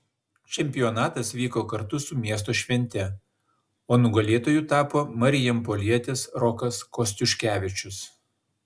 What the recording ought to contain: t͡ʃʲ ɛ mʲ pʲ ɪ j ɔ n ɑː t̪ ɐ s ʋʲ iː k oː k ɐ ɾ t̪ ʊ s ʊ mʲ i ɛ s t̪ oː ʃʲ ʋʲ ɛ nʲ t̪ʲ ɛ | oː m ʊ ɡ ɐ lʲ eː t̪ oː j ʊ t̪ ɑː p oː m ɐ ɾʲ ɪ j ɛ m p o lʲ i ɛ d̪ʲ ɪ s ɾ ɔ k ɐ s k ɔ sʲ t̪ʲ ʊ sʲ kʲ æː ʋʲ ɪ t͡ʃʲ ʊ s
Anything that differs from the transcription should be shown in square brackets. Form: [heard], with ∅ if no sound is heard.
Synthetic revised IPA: t͡ʃʲ ɛ mʲ pʲ ɪ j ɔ n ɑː t̪ ɐ s ʋʲ iː k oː k ɐ ɾ t̪ ʊ s ʊ mʲ i ɛ s t̪ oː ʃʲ ʋʲ ɛ nʲ t̪ʲ ɛ | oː [n] ʊ ɡ ɐ lʲ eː t̪ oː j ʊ t̪ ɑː p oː m ɐ ɾʲ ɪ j ɛ m p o lʲ i ɛ [t̪ʲ] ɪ s ɾ ɔ k ɐ s k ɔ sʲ t̪ʲ ʊ [ʃʲ] kʲ æː ʋʲ ɪ t͡ʃʲ ʊ s

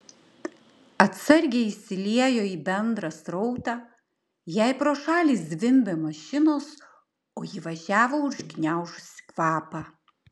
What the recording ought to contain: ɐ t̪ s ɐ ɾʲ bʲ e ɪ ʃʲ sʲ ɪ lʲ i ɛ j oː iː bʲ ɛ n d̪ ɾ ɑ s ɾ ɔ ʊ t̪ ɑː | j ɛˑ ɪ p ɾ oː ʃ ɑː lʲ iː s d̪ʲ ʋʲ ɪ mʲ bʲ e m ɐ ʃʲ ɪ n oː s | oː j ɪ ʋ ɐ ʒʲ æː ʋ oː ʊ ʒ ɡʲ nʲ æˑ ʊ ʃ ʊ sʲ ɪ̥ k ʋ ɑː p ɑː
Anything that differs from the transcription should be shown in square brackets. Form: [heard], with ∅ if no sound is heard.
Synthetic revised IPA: ɐ t̪ s ɐ ɾʲ [ɡʲ] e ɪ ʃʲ sʲ ɪ lʲ i ɛ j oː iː bʲ ɛ n d̪ ɾ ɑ s ɾ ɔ ʊ t̪ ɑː | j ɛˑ ɪ p ɾ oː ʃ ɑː lʲ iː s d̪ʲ ʋʲ ɪ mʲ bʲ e m ɐ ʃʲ ɪ n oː s | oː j ɪ ʋ ɐ ʒʲ æː ʋ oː ʊ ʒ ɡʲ nʲ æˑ ʊ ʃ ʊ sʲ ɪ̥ k ʋ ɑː p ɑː

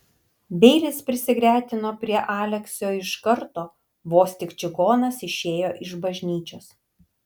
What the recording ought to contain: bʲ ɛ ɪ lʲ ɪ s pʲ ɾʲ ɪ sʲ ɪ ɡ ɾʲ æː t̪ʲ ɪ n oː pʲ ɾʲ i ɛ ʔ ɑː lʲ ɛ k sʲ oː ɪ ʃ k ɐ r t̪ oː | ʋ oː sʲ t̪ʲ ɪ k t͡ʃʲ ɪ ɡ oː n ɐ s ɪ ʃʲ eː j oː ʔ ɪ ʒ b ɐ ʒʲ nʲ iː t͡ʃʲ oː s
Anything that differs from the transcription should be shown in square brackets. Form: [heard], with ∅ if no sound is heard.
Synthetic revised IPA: bʲ ɛ ɪ lʲ ɪ s pʲ ɾʲ ɪ sʲ ɪ ɡ ɾʲ æː t̪ʲ ɪ n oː pʲ ɾʲ i ɛ ʔ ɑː lʲ ɛ k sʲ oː ɪ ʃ k ɐ [ɾ] t̪ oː | ʋ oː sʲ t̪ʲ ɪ k t͡ʃʲ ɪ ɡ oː n ɐ s ɪ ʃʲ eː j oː ʔ ɪ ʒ b ɐ ʒʲ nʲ iː t͡ʃʲ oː s

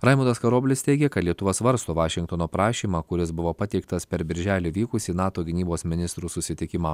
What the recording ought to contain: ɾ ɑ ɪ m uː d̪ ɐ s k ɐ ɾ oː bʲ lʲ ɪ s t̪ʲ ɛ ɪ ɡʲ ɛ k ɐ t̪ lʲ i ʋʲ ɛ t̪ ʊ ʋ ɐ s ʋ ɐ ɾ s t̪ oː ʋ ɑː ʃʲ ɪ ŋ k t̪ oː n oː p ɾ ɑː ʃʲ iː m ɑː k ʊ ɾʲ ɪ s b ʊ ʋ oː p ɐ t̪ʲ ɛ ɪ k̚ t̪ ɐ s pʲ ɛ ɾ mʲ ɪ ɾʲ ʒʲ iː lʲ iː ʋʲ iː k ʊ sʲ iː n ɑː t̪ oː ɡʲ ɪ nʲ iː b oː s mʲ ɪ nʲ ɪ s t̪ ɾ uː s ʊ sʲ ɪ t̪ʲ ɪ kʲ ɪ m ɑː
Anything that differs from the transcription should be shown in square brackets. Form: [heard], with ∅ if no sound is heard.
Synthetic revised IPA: ɾ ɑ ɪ m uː d̪ ɐ s k ɐ ɾ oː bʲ lʲ ɪ s t̪ʲ ɛ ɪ ɡʲ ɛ k ɐ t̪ lʲ i [∅] ɛ t̪ ʊ ʋ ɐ s ʋ ɐ ɾ s t̪ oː ʋ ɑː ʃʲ ɪ ŋ k t̪ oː n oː p ɾ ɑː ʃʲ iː m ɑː k ʊ ɾʲ ɪ s b ʊ ʋ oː p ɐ t̪ʲ ɛ ɪ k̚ t̪ ɐ s pʲ ɛ ɾ [bʲ] ɪ ɾʲ ʒʲ [æː] lʲ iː ʋʲ iː k ʊ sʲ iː n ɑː t̪ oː ɡʲ ɪ nʲ iː b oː s mʲ ɪ nʲ ɪ s t̪ ɾ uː s ʊ sʲ ɪ t̪ʲ ɪ kʲ ɪ m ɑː

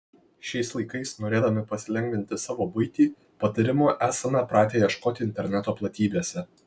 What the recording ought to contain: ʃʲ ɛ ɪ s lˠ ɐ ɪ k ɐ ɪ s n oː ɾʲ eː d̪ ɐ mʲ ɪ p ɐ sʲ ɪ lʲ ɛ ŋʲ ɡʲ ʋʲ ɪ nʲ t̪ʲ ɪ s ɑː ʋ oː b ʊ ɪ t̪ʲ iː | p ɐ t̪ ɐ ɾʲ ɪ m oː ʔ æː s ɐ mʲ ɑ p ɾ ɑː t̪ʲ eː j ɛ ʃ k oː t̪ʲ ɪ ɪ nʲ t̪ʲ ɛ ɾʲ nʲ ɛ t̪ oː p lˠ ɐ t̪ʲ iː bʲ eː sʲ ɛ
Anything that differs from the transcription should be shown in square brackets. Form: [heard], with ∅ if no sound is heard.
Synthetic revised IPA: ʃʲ ɛ ɪ s lˠ ɐ ɪ k ɐ ɪ s n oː ɾʲ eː d̪ ɐ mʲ ɪ p ɐ sʲ ɪ lʲ ɛ ŋʲ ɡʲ ʋʲ ɪ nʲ t̪ʲ ɪ s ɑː ʋ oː b ʊ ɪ t̪ʲ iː | p ɐ t̪ ɐ ɾʲ ɪ m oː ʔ æː s ɐ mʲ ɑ p ɾ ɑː t̪ʲ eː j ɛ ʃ k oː t̪ʲ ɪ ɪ nʲ t̪ʲ ɛ ɾʲ nʲ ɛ t̪ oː p lˠ ɐ t̪ʲ iː bʲ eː sʲ ɛ

